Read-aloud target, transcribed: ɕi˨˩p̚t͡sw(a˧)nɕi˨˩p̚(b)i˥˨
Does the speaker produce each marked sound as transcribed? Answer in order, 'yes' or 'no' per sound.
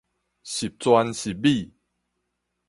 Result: yes, yes

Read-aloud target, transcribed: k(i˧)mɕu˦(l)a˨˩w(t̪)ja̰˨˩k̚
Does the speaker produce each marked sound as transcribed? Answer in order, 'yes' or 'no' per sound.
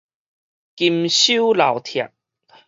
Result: yes, yes, no

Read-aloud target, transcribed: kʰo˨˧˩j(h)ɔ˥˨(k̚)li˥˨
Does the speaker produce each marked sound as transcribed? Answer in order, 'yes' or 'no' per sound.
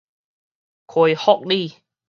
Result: yes, yes

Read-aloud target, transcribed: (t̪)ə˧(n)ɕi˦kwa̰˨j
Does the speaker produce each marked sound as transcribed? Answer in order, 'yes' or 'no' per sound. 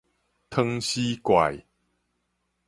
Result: no, no

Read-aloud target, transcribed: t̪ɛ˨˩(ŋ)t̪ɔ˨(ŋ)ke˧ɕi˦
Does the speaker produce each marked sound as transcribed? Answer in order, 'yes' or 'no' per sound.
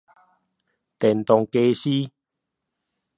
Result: no, yes

